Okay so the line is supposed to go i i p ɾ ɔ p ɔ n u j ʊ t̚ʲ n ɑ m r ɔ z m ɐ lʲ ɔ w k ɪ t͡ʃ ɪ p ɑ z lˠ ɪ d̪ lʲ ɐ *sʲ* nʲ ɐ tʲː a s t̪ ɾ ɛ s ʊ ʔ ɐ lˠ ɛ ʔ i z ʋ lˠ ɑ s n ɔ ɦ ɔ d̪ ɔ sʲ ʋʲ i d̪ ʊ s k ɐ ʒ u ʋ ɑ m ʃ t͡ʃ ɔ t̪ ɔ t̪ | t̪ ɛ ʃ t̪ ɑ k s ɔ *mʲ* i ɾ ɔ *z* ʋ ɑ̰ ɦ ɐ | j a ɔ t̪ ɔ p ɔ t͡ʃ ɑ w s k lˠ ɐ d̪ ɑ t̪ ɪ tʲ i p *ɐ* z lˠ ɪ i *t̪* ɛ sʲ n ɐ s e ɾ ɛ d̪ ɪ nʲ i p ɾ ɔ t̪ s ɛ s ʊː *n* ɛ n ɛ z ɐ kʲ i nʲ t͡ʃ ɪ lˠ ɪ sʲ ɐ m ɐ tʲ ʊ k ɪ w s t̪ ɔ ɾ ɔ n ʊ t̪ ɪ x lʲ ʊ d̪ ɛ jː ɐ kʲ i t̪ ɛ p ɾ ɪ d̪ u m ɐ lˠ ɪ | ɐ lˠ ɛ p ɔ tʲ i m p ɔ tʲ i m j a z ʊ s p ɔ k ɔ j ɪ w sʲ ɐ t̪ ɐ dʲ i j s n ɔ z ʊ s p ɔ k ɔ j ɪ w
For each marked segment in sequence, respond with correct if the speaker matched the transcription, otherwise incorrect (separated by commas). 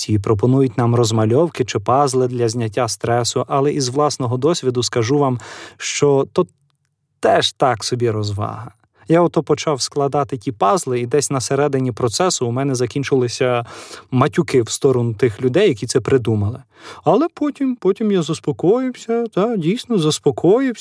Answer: incorrect, incorrect, correct, incorrect, incorrect, incorrect